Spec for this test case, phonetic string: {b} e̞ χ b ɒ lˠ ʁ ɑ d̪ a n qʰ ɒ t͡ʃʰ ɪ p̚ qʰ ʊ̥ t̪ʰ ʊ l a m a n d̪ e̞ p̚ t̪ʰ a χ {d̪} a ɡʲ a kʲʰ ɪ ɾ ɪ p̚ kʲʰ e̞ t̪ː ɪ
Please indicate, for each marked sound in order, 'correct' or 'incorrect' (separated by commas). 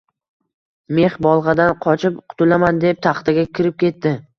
incorrect, incorrect